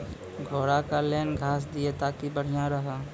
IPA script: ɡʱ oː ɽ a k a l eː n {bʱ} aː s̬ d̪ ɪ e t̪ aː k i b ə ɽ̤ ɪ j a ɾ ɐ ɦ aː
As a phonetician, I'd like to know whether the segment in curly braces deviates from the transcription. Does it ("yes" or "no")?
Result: yes